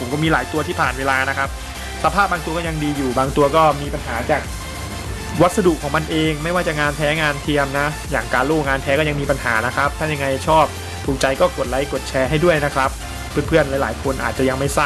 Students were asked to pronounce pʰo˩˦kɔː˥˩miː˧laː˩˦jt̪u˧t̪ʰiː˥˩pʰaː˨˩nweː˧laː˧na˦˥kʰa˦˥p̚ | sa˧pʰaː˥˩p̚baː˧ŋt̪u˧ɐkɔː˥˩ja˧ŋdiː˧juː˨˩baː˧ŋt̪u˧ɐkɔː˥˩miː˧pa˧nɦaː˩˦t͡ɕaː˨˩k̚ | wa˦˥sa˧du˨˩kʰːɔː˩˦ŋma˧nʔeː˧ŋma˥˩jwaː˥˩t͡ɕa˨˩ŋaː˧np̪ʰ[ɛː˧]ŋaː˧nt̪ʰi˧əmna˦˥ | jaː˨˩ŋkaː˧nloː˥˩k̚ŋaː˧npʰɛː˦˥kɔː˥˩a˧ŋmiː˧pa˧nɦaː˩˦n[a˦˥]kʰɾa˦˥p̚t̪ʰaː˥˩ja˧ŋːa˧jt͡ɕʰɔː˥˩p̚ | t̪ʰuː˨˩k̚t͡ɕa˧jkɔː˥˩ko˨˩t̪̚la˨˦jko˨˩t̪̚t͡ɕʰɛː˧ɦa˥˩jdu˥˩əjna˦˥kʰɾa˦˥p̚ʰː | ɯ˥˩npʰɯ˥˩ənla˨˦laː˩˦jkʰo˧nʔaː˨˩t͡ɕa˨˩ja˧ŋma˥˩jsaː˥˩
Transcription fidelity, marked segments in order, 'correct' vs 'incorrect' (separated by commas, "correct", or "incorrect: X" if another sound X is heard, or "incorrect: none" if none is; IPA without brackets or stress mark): incorrect: ɛː˦˥, correct